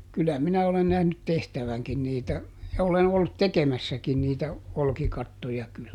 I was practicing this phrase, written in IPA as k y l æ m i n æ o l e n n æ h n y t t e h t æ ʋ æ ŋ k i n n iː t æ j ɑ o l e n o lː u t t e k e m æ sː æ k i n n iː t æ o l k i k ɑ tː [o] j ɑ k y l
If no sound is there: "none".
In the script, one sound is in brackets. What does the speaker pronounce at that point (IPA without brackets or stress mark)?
o